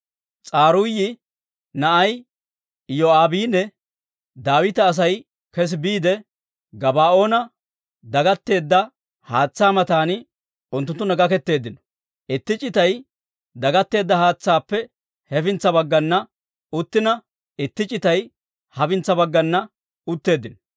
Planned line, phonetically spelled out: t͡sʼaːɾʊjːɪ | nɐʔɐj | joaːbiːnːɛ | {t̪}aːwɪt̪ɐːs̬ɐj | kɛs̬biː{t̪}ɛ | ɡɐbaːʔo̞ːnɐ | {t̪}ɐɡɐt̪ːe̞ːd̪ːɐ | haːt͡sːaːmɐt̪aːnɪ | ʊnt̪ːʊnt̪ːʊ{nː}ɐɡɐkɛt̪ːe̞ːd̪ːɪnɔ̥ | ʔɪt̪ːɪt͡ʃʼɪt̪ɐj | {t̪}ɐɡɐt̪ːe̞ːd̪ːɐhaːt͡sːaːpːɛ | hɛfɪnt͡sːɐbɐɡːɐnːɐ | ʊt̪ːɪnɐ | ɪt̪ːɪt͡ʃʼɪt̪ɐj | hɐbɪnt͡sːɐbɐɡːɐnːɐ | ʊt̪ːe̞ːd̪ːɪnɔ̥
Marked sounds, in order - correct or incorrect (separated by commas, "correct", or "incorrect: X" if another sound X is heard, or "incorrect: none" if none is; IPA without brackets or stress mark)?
incorrect: d̪, incorrect: d̪, incorrect: d̪, incorrect: n, incorrect: d̪